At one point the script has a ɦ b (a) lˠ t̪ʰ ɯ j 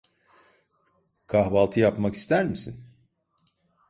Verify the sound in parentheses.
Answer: correct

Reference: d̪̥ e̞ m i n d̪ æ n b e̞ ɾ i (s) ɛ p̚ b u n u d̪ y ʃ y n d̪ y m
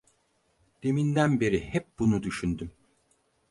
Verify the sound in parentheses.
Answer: incorrect: h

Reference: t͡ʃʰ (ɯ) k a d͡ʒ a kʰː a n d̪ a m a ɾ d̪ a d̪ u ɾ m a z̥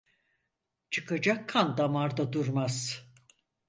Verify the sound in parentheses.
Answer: correct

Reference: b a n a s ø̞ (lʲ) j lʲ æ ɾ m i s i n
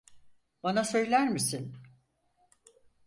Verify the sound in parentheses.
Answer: incorrect: none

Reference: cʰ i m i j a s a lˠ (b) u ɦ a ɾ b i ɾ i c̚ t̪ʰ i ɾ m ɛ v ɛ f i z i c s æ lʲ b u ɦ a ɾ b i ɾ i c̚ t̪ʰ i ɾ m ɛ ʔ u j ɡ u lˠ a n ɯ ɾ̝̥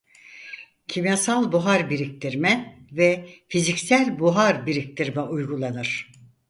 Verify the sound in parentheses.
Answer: correct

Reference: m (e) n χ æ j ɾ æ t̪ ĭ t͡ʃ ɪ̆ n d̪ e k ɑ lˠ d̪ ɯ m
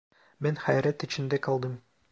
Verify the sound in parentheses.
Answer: correct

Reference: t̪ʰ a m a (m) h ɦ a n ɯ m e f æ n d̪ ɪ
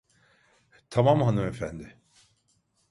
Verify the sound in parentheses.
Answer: correct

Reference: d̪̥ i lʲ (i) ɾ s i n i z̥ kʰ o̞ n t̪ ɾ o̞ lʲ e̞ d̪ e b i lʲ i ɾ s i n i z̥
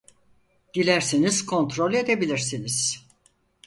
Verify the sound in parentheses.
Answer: incorrect: æ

